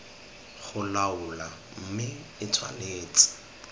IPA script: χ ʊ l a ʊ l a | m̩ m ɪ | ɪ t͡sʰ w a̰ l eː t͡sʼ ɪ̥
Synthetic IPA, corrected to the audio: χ ʊ l a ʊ l a | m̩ m ɪ | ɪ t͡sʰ w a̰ l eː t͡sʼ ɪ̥